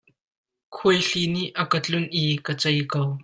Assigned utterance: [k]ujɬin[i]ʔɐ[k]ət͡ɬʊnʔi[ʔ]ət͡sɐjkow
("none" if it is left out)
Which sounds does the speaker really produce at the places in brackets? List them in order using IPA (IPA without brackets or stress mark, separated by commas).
kʰ, i, k, k